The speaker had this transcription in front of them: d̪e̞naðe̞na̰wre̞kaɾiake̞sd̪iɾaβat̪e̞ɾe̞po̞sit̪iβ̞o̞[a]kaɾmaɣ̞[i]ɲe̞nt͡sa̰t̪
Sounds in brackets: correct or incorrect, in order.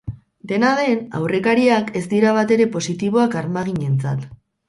correct, correct

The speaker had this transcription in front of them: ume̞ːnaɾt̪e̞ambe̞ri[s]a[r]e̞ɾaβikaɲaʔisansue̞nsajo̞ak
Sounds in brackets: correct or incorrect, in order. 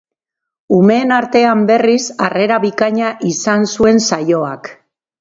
correct, correct

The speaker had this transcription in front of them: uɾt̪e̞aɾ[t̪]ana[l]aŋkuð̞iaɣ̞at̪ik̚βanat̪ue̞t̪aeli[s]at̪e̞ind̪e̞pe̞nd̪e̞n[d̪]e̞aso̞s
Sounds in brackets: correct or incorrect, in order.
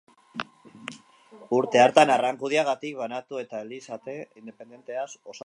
correct, incorrect, correct, incorrect

